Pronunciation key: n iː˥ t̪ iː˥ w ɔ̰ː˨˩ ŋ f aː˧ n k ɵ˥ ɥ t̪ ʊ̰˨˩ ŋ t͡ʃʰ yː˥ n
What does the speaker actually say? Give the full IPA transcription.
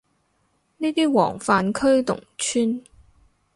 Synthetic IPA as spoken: n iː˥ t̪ iː˥ w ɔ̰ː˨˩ ŋ f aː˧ n kʰ ɵ˥ ɥ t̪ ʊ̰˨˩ ŋ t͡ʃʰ yː˥ n

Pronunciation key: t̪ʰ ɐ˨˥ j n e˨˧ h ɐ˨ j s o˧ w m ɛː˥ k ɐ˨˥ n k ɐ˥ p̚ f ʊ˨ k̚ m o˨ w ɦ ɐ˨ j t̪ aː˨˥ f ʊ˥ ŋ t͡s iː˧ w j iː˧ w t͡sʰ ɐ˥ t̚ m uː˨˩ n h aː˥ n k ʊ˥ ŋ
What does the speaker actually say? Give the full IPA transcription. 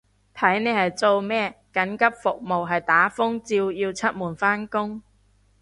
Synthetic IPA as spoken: t̪ʰ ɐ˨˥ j n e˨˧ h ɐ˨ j t͡s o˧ w m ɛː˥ k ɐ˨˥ n k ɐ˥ p̚ f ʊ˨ k̚ m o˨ w ɦ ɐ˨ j t̪ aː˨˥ f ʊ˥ ŋ t͡s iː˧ w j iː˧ w t͡sʰ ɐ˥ t̚ m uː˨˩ n f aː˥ n k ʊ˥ ŋ

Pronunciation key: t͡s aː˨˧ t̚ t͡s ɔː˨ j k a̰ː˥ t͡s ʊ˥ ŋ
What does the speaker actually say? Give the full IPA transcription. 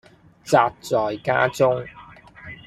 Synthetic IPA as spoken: t͡s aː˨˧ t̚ t͡s ɔː˨ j k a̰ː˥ t͡s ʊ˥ ŋ

